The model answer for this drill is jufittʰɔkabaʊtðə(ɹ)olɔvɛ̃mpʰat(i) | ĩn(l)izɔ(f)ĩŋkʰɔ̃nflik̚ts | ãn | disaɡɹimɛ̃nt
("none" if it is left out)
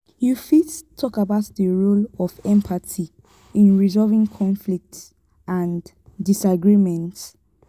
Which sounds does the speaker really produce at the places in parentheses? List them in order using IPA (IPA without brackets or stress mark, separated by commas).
ɹ, i, ɹ, v